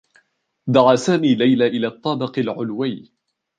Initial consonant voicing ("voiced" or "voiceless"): voiced